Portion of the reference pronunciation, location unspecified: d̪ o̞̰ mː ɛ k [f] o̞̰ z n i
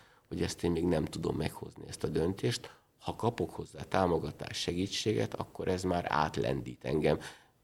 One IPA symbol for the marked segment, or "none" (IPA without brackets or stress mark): h